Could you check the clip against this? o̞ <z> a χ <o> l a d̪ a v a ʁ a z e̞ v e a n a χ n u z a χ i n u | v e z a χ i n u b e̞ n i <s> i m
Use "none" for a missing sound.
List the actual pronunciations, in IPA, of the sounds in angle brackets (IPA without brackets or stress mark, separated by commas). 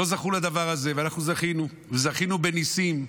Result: z, u, s